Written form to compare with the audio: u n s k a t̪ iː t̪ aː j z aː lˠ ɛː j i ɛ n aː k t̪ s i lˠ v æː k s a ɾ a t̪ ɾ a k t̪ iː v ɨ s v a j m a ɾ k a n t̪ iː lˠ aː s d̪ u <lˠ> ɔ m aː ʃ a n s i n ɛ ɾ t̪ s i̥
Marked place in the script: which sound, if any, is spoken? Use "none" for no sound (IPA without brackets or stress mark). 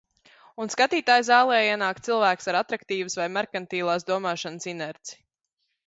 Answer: none